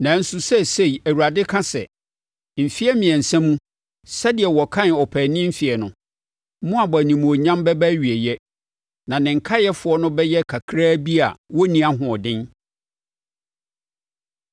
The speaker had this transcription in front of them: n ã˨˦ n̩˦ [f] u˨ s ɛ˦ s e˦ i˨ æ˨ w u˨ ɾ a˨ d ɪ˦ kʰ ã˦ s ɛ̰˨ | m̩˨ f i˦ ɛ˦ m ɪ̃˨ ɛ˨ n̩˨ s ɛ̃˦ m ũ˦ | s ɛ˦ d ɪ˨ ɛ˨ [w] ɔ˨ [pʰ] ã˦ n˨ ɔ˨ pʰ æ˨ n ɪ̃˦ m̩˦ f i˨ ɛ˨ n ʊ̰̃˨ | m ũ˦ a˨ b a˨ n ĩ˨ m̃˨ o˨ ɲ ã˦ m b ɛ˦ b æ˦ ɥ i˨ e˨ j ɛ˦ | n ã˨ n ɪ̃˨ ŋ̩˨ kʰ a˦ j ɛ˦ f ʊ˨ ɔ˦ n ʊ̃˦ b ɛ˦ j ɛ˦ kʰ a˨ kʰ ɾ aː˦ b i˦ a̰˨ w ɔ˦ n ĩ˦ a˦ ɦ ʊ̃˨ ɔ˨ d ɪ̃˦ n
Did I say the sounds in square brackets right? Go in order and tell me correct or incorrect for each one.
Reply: incorrect: s, correct, incorrect: kʰ

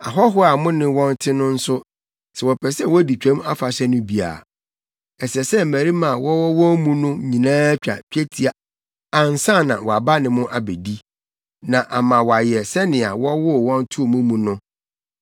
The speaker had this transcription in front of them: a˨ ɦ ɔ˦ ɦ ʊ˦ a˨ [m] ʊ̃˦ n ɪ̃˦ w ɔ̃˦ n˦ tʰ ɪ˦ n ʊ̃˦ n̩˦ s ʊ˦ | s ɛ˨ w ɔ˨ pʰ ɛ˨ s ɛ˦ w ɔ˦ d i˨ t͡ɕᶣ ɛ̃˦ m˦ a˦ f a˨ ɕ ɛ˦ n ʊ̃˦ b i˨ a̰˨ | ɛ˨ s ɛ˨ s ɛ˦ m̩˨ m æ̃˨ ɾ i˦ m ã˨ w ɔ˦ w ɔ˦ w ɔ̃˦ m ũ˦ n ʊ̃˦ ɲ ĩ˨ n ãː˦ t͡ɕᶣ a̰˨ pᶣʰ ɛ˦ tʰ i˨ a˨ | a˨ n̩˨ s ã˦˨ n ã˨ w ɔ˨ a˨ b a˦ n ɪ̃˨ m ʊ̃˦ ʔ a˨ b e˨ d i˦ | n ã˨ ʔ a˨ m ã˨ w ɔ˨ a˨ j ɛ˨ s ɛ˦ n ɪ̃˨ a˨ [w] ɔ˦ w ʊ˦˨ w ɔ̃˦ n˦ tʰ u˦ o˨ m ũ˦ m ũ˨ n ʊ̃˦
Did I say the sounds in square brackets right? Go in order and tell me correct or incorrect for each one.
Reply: correct, correct

